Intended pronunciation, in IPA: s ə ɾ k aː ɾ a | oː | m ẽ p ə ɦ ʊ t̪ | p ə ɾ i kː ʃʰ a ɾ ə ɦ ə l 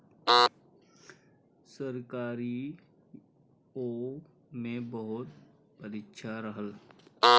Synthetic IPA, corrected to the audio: s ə ɾ k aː ɾ i | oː | m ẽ b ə ɦ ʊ t̪ | p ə ɾ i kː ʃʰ a ɾ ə ɦ ə l